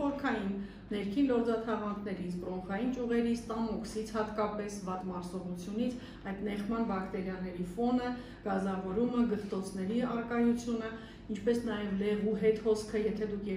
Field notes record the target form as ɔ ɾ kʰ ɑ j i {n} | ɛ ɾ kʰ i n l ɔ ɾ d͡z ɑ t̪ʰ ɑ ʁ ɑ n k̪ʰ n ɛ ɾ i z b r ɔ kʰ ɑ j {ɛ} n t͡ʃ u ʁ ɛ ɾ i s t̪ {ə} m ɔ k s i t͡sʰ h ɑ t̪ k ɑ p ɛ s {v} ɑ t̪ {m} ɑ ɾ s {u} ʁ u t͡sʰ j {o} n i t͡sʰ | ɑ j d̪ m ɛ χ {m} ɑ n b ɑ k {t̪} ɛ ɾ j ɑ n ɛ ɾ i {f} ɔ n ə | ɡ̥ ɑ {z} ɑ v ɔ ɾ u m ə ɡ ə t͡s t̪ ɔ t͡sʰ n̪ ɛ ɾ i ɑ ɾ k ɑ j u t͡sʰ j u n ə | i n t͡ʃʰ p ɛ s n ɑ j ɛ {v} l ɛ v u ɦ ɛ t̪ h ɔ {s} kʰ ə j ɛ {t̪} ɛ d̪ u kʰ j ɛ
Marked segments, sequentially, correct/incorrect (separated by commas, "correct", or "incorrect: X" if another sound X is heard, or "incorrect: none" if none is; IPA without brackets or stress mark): incorrect: nː, incorrect: i, incorrect: ɑ, correct, correct, incorrect: ɔ, incorrect: u, correct, correct, correct, correct, correct, correct, incorrect: t̪ʰ